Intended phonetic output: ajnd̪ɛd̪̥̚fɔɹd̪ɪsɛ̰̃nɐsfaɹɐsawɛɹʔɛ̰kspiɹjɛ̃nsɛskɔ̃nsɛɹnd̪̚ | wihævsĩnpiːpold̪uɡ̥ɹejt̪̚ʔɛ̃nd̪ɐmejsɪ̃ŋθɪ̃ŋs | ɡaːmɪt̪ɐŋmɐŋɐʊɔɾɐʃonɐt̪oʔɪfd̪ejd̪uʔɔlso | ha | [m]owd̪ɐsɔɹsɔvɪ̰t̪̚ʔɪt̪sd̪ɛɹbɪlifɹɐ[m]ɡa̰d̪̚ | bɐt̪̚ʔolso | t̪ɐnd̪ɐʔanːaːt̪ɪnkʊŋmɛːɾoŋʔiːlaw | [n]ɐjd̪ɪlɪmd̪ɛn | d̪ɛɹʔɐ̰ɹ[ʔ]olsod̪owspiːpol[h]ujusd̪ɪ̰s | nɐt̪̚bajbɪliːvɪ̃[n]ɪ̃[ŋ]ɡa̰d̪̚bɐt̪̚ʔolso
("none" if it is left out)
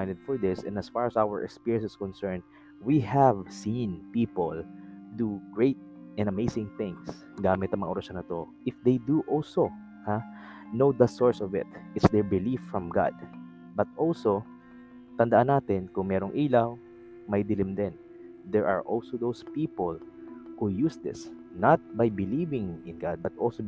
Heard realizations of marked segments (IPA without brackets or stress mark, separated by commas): n, m, m, ʔ, h, ŋ, n